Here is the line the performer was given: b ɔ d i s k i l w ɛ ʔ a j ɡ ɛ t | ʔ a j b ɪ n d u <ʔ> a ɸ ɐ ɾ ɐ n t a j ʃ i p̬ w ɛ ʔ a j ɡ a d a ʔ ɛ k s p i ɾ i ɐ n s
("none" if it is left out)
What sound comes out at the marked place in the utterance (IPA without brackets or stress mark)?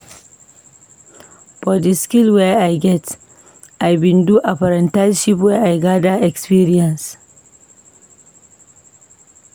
ʔ